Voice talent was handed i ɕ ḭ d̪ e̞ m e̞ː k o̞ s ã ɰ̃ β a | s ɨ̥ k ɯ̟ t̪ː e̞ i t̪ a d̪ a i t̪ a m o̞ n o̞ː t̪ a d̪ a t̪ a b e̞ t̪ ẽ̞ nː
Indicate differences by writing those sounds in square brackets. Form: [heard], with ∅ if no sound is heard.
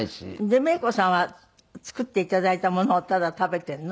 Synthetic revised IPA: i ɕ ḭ d̪ e̞ m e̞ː k o̞ s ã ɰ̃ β a | [t͡s] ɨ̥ k ɯ̟ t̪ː e̞ i t̪ a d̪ a i t̪ a m o̞ n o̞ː t̪ a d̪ a t̪ a b e̞ t̪ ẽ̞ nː